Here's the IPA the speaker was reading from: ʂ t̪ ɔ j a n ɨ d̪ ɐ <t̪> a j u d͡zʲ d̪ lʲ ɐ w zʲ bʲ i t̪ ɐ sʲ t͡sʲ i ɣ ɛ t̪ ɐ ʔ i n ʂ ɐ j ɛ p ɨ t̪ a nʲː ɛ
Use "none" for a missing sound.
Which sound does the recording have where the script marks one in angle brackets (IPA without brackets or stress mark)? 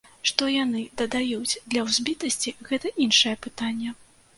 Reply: d̪